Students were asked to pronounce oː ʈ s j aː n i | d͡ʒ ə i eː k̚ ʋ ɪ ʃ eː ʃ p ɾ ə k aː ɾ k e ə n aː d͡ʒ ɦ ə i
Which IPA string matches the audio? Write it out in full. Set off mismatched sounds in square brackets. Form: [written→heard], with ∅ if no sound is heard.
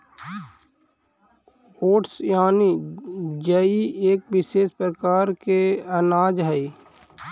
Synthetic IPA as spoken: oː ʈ s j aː n i | d͡ʒ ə i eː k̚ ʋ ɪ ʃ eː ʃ p ɾ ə k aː ɾ k e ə n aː d͡ʒ ɦ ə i